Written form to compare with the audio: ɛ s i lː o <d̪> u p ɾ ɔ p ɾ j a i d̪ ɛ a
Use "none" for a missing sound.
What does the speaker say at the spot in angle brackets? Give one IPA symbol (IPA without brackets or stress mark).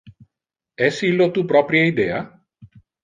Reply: t̪